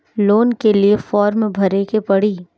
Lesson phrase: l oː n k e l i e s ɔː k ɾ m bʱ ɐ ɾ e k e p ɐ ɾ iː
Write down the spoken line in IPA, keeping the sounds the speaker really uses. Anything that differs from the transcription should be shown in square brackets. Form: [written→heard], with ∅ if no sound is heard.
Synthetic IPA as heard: l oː n k e l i e [s→f] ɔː [k→∅] ɾ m bʱ ɐ ɾ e k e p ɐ [ɾ→ɽ] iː